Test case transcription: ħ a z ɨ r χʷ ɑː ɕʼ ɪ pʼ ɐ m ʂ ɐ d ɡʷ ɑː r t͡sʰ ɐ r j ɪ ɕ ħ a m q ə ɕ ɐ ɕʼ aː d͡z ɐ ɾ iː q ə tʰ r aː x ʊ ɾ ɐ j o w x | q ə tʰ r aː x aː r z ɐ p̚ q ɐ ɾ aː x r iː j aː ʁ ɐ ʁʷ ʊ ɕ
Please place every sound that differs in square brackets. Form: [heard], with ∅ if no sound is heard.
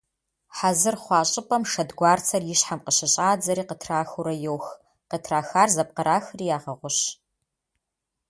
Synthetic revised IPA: ħ a z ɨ r χʷ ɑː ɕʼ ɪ pʼ ɐ m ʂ ɐ d ɡʷ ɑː r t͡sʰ ɐ r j ɪ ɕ ħ a m q ə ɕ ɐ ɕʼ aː d͡z ɐ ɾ iː q ə tʰ r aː x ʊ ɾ ɐ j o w x | q ə tʰ r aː x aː r z ɐ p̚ q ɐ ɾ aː x r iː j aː ʁ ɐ ʁʷ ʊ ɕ